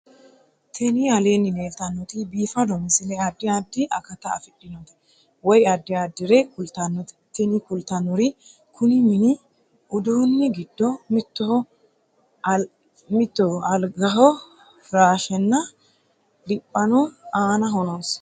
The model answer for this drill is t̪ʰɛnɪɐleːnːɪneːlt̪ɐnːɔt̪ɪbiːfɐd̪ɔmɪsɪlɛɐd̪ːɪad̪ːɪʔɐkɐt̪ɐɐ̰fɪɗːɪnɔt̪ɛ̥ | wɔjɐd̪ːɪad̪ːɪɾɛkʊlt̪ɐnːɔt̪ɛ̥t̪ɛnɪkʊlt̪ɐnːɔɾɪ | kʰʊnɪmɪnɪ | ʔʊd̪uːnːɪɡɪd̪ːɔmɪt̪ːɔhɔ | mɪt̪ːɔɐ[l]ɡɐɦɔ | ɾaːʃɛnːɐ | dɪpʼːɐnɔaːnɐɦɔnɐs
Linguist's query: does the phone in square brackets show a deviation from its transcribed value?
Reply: no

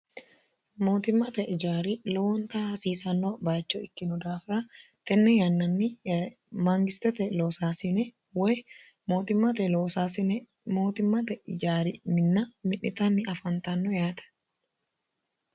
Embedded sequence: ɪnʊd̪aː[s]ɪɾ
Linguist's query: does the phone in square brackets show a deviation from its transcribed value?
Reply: yes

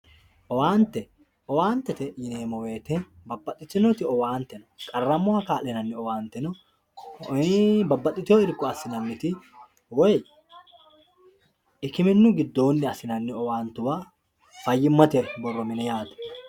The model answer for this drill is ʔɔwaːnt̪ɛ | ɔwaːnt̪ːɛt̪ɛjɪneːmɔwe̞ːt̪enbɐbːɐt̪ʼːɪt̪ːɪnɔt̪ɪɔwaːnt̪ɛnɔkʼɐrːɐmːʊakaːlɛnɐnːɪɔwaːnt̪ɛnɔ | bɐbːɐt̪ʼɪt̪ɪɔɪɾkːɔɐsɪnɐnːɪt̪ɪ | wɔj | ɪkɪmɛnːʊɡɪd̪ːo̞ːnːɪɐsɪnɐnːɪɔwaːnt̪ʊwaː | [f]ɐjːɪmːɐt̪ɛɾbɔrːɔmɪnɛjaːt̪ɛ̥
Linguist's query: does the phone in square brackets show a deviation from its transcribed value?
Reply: no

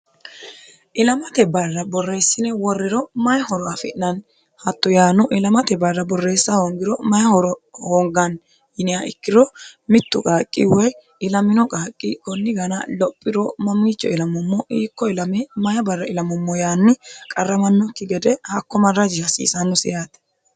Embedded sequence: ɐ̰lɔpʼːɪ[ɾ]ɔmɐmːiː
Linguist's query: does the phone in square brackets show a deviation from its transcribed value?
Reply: no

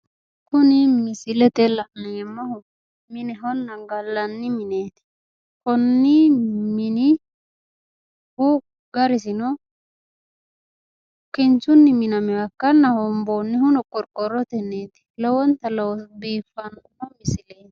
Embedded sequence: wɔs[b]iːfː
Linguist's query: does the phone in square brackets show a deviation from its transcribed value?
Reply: no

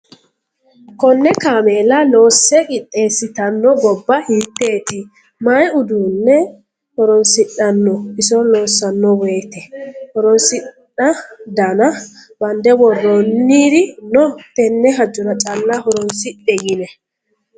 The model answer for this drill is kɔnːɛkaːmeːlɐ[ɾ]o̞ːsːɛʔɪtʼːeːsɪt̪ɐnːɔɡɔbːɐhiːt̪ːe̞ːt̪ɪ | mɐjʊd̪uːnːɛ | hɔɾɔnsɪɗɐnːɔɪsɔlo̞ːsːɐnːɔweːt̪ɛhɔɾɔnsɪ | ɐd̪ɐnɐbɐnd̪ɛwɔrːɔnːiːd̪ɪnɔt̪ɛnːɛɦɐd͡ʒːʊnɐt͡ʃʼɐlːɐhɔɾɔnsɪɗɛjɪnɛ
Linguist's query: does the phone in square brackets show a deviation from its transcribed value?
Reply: yes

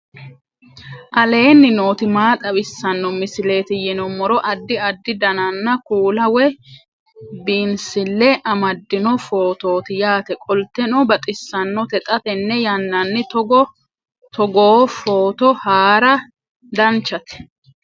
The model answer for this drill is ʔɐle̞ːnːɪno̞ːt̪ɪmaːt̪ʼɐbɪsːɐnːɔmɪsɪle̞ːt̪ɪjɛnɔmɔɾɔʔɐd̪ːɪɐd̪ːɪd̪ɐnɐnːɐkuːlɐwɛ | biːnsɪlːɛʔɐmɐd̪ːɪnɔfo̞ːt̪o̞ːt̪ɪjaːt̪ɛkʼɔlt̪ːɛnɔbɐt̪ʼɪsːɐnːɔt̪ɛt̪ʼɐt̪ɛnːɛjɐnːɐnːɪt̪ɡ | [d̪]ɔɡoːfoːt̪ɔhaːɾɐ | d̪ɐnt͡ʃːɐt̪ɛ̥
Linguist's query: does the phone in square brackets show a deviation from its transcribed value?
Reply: yes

